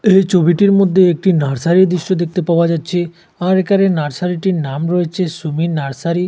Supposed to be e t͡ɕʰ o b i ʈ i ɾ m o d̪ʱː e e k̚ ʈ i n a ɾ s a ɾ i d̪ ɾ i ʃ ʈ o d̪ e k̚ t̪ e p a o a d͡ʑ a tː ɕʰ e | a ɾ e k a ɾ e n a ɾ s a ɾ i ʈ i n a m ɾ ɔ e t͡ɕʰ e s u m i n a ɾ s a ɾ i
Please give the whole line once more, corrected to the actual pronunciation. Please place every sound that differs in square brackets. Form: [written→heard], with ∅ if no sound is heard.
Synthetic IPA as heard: e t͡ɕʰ o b i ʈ i ɾ m o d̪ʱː e e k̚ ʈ i n a ɾ s a ɾ i d̪ ɾ i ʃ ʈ o d̪ e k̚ t̪ e p a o a d͡ʑ a tː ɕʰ e | a ɾ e k a ɾ e n a ɾ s a ɾ i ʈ i n a m ɾ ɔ e t͡ɕʰ e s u m i n a ɾ s a ɾ i